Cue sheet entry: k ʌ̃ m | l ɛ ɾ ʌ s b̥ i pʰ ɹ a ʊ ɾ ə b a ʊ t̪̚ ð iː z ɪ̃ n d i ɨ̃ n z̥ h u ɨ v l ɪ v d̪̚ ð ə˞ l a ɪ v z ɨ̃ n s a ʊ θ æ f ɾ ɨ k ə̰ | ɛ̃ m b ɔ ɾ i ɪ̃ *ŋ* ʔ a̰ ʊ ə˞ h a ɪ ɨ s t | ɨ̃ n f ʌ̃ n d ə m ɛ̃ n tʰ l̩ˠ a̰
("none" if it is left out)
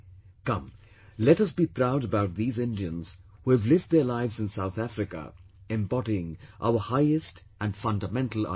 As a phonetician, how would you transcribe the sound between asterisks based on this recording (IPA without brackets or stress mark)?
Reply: ŋ